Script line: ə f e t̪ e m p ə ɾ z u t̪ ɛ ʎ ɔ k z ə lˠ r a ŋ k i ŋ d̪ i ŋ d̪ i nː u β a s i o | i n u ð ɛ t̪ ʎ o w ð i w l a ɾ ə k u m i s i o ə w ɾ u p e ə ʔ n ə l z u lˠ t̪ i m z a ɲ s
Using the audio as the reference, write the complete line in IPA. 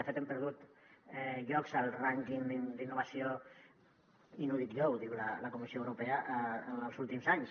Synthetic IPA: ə f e t̪ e m p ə ɾ ð u t̪ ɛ ʎ ɔ k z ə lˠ r a ŋ k i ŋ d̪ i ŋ d̪ i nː u β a s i o | i n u ð i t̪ ʎ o w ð i w l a l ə k u m i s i o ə w ɾ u p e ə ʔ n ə l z u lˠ t̪ i m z a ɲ s